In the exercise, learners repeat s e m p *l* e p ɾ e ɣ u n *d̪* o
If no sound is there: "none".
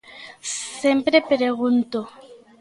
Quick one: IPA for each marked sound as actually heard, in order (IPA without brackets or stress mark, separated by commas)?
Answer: ɾ, t̪